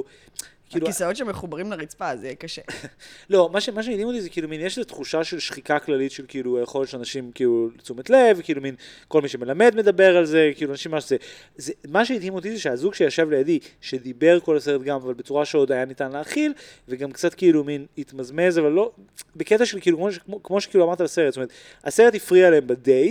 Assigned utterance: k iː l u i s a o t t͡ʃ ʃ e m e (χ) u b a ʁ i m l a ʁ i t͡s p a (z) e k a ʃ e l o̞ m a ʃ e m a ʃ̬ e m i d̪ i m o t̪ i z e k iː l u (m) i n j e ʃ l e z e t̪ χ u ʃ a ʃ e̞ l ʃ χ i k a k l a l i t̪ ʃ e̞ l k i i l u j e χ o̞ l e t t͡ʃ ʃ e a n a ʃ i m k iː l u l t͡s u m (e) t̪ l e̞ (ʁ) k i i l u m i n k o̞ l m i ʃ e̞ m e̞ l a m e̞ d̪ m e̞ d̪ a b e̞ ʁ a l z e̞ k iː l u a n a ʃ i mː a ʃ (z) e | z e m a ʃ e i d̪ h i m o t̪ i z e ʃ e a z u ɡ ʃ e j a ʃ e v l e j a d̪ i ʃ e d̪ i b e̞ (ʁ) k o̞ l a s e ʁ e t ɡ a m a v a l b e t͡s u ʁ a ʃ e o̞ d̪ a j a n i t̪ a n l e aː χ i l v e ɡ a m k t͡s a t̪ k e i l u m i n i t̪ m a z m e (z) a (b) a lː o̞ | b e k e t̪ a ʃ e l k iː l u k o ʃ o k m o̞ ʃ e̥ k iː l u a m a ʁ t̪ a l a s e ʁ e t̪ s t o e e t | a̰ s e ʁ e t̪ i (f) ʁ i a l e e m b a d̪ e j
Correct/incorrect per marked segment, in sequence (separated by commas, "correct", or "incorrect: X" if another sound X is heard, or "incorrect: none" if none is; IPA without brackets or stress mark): correct, correct, correct, correct, incorrect: v, correct, correct, correct, incorrect: v, correct